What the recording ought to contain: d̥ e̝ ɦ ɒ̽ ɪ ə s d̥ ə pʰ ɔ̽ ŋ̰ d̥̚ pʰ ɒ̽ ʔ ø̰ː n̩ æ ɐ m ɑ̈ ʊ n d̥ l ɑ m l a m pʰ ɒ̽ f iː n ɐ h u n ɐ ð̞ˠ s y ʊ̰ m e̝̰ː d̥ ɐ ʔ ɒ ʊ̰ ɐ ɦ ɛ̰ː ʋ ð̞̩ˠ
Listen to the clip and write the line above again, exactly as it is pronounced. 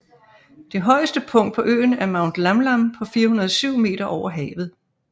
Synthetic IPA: d̥ e̝ ɦ ɒ̽ ɪ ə s d̥ ə pʰ ɔ̽ ŋ̰ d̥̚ pʰ ɒ̽ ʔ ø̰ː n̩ æ ɐ m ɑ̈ ʊ n d̥ l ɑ m l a m pʰ ɒ̽ f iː ɐ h u n ɐ ð̞ˠ s y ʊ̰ m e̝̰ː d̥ ɐ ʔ ɒ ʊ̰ ɐ ɦ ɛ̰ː ʋ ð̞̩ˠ